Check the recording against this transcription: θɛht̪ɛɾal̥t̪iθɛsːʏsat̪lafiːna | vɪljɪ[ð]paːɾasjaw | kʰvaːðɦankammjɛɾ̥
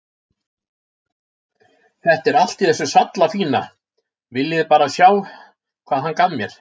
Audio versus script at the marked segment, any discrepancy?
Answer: no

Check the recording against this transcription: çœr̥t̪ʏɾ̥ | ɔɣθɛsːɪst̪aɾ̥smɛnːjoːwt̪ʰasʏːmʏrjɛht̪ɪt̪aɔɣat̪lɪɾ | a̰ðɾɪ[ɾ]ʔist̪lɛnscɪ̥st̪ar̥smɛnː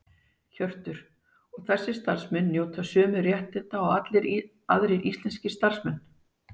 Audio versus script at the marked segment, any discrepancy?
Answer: no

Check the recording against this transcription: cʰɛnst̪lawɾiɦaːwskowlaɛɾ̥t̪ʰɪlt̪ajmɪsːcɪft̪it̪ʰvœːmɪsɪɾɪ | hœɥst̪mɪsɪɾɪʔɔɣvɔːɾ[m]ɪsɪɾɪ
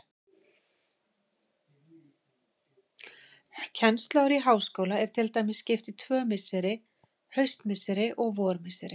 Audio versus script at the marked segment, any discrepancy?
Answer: no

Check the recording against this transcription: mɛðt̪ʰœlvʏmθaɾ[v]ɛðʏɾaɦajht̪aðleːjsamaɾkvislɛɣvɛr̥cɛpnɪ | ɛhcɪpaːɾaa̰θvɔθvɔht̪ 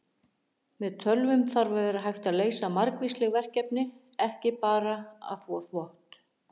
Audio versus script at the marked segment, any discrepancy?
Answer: no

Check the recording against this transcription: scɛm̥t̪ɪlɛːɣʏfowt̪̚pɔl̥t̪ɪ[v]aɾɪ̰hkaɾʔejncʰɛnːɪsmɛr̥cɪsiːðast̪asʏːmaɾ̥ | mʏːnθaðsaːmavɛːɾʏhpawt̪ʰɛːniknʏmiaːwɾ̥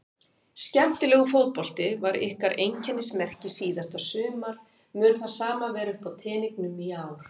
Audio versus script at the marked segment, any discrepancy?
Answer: no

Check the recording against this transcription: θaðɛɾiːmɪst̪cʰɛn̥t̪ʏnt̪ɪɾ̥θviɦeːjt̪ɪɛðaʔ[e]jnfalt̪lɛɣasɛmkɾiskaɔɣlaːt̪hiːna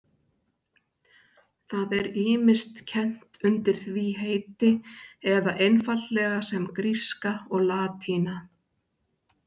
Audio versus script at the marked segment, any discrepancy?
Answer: no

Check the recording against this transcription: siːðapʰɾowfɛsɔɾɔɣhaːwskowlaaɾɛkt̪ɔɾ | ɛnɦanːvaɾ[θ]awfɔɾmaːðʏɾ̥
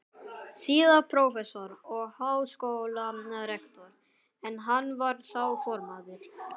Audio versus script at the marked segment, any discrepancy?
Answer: no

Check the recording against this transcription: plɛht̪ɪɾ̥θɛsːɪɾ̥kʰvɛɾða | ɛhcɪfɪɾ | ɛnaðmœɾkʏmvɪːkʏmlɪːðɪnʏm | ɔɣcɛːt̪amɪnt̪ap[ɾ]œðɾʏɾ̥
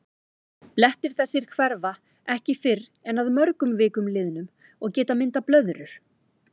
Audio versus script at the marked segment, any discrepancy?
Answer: yes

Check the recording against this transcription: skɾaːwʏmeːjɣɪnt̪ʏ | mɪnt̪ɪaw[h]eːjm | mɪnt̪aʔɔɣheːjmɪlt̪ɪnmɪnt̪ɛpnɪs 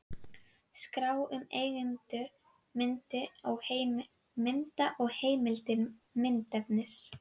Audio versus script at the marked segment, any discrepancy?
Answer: no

